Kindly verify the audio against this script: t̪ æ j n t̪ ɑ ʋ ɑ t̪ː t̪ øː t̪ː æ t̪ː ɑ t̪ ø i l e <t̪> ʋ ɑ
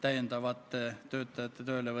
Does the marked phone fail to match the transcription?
yes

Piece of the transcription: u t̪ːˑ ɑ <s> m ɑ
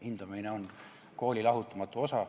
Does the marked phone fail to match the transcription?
yes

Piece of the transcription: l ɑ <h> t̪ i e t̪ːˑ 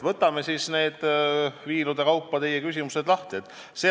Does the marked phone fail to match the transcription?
no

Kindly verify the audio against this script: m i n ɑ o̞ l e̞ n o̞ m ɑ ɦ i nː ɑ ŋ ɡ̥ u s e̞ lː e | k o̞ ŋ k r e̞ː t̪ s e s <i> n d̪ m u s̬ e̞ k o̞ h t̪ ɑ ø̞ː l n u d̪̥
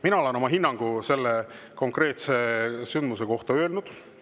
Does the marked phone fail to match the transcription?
yes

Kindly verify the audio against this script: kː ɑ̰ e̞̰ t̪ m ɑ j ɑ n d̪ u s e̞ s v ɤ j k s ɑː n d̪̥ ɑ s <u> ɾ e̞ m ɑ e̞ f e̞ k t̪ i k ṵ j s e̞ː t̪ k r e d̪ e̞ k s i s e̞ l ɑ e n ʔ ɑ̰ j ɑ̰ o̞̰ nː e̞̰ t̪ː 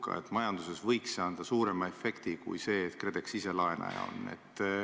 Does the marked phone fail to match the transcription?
yes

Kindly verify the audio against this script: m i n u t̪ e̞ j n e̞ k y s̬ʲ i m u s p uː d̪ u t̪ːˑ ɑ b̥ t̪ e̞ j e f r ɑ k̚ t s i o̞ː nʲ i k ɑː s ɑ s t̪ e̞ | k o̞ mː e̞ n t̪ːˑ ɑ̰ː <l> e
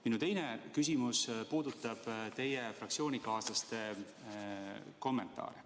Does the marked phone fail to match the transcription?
yes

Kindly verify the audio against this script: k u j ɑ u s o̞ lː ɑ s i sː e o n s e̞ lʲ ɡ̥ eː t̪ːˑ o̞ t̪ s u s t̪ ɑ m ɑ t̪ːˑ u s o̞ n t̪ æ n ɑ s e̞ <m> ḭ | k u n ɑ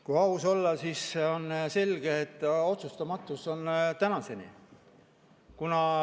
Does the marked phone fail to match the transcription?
yes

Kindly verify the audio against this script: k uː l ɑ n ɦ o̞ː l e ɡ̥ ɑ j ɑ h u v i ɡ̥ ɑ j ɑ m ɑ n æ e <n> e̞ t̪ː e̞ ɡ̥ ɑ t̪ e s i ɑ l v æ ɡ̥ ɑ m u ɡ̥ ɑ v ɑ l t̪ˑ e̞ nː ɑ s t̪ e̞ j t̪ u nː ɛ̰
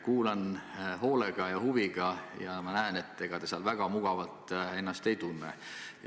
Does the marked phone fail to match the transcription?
no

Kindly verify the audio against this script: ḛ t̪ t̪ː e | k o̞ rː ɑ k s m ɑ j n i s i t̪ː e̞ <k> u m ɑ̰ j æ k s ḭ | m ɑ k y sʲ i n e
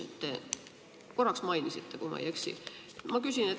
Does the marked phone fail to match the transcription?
no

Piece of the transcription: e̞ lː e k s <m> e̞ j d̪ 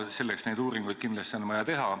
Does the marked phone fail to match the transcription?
yes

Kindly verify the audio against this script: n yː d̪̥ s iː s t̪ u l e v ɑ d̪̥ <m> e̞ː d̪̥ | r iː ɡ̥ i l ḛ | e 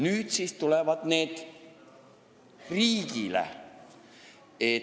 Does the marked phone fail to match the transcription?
yes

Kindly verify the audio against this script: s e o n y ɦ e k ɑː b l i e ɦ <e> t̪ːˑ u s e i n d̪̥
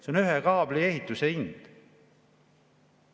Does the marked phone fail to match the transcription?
yes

